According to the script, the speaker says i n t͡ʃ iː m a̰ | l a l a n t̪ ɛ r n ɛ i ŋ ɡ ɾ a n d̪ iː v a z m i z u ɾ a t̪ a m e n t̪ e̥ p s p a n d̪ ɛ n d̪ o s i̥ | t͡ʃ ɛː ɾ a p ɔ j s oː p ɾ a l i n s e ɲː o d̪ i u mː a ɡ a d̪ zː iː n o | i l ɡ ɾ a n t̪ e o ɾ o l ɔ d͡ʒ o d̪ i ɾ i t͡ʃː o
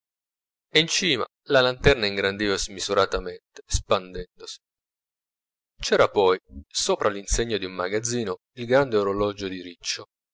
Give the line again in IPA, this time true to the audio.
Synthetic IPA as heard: i n t͡ʃ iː m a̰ | l a l a n t̪ ɛ r n a i ŋ ɡ ɾ a n d̪ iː v a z m i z u ɾ a t̪ a m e n t̪ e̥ s p a n d̪ ɛ n d̪ o s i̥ | t͡ʃ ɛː ɾ a p ɔ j s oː p ɾ a l i n s e ɲː o d̪ i u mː a ɡ a d̪ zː iː n o | i l ɡ ɾ a n d̪ e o ɾ o l ɔ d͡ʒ o d̪ i ɾ i t͡ʃː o